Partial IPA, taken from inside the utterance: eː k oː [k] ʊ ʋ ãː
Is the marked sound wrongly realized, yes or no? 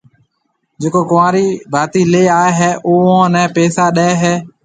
no